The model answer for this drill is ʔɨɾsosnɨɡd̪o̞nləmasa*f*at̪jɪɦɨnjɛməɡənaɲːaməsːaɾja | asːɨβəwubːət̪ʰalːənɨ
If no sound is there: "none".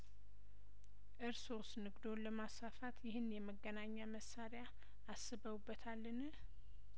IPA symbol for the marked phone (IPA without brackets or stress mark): f